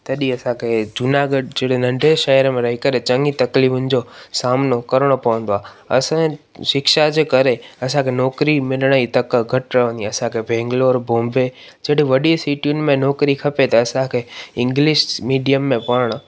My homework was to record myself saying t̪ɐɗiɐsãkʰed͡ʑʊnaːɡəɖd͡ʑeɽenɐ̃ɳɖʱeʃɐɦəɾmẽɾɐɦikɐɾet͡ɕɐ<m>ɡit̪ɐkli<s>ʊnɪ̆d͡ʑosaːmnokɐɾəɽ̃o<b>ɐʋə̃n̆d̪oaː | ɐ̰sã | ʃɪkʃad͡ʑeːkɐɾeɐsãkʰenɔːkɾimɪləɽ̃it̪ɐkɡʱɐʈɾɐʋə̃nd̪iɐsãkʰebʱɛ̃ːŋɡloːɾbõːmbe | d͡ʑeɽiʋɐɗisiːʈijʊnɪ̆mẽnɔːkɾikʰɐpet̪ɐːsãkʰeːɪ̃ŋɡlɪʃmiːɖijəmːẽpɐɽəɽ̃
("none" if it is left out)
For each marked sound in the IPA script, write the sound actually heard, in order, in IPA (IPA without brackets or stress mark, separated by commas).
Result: ŋ, f, p